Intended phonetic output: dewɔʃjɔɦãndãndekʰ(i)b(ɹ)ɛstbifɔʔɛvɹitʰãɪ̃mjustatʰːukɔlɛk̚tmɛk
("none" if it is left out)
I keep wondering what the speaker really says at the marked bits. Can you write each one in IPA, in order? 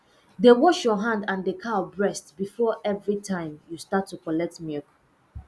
a, ɹ

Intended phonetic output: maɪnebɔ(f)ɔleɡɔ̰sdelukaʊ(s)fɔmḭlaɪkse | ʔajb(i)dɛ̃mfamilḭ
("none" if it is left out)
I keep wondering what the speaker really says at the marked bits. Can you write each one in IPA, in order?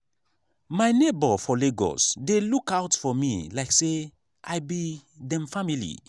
f, t, i

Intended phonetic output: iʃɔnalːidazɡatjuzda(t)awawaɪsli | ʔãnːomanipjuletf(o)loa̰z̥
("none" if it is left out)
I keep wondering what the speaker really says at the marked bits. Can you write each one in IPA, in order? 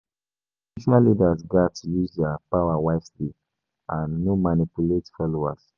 p, ɔ

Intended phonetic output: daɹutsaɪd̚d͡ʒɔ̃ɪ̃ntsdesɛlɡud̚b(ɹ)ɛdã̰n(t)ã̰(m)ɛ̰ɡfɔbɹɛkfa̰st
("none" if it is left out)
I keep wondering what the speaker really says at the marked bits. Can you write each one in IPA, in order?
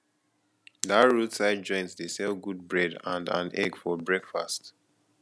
ɹ, d, n

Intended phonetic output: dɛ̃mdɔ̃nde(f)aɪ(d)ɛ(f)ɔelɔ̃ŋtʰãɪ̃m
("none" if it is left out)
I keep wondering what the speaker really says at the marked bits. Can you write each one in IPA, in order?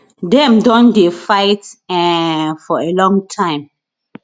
f, t, f

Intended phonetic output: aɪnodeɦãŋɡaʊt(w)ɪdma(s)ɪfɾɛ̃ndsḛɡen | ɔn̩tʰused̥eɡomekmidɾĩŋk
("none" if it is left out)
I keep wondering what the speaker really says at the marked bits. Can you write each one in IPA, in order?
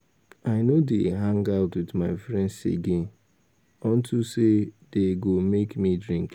w, none

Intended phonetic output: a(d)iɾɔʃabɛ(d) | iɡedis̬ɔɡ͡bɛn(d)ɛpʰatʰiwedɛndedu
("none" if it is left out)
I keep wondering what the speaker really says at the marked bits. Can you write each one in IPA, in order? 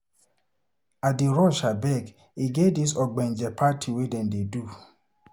d, ɡ, d͡ʒ

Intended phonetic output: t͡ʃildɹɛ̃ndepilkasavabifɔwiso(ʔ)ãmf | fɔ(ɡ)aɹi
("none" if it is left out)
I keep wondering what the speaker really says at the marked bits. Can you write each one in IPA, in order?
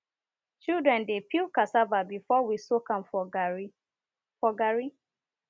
k, ɡ

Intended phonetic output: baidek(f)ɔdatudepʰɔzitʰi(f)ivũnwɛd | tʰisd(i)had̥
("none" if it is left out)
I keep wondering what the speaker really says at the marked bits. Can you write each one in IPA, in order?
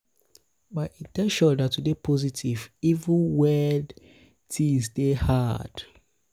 ʃ, v, e

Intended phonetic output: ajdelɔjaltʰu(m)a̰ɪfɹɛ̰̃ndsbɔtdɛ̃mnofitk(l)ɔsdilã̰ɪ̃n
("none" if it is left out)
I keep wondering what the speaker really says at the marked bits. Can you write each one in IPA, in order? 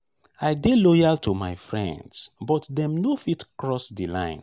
m, ɹ

